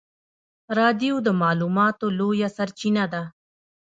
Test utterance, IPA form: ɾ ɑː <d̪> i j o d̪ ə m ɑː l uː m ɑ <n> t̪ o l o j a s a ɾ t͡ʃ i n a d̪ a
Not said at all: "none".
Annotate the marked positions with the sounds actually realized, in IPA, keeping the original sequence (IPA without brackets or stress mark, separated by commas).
d̪, none